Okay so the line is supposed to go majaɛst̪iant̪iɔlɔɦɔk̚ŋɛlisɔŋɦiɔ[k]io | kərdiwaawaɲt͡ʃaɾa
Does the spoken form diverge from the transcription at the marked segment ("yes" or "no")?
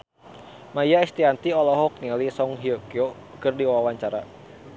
no